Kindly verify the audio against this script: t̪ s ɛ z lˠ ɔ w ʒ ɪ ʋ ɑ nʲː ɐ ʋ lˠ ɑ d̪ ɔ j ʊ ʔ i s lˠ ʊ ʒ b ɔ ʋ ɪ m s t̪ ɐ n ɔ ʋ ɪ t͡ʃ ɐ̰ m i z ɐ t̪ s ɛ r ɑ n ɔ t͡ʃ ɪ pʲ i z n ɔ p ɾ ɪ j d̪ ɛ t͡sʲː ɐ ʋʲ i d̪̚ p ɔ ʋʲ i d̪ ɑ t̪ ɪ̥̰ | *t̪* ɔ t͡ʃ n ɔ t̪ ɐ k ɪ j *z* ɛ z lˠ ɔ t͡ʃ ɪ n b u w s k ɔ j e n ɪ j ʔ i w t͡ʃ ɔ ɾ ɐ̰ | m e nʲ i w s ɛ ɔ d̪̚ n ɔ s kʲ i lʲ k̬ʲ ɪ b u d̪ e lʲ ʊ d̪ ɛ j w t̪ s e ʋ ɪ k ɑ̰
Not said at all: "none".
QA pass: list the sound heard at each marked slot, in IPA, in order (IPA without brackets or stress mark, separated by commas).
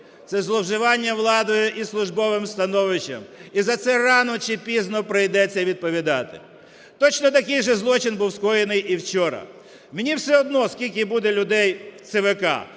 t̪, ʒ